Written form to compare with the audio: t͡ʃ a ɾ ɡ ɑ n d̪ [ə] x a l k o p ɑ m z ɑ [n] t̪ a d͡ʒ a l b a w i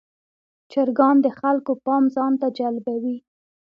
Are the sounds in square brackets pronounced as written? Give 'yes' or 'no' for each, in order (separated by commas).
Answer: yes, yes